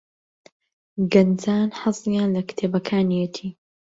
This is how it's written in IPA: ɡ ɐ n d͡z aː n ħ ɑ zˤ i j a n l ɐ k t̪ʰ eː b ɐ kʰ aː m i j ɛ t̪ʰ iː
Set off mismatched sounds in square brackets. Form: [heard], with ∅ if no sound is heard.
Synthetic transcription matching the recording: ɡ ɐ n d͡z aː n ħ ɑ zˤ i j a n l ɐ k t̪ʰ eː b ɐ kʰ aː [n] i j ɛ t̪ʰ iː